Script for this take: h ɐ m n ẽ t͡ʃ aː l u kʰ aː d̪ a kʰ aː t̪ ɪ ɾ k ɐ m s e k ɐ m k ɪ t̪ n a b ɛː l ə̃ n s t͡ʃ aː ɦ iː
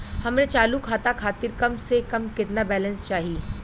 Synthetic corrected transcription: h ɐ m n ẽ t͡ʃ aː l u kʰ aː t̪ a kʰ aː t̪ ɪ ɾ k ɐ m s e k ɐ m k ɪ t̪ n a b ɛː l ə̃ n s t͡ʃ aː ɦ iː